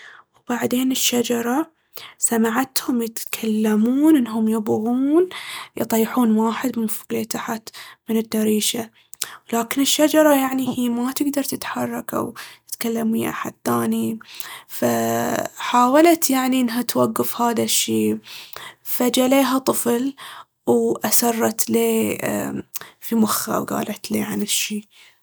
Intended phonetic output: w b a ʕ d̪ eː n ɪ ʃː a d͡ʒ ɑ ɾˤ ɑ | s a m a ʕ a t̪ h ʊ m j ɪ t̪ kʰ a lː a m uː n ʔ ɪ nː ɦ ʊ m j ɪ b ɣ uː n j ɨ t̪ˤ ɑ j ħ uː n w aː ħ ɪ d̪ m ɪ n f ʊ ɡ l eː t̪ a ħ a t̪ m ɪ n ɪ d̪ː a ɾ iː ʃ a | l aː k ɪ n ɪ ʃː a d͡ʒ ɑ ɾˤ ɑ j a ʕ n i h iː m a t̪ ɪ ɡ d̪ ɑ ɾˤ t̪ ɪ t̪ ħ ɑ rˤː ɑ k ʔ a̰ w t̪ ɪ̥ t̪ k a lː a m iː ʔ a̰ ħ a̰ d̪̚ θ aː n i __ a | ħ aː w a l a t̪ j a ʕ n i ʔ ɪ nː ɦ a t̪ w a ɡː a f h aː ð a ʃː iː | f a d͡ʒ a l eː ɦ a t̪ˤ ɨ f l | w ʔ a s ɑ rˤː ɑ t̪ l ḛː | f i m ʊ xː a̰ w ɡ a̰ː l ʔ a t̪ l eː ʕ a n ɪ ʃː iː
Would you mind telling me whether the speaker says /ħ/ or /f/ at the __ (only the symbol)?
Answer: f